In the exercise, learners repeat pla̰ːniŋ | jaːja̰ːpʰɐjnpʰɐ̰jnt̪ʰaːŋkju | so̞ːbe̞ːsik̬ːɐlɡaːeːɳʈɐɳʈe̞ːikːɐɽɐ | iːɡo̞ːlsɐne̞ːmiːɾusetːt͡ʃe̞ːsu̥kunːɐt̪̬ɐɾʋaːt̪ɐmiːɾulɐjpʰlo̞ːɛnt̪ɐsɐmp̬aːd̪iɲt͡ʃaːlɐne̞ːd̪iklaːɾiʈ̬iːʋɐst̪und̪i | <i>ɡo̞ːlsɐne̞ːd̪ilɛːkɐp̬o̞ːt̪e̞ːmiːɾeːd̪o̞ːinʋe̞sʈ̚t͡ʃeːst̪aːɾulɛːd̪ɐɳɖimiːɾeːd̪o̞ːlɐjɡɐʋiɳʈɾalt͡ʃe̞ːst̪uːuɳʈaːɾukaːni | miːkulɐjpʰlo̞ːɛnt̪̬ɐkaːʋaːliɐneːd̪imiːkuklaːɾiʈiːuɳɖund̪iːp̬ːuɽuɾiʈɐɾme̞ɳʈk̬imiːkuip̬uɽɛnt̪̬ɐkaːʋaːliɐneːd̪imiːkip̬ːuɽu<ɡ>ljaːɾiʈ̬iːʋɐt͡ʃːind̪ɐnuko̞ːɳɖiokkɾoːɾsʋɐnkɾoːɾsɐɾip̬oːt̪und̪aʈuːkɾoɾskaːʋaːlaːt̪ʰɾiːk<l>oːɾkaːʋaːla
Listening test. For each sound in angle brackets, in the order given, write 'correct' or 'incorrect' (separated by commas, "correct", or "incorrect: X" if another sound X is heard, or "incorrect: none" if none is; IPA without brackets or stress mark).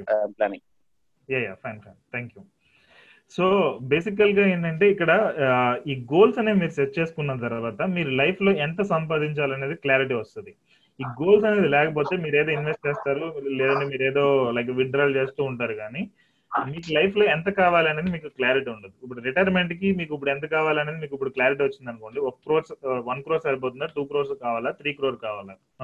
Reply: incorrect: iː, incorrect: k, incorrect: ɾ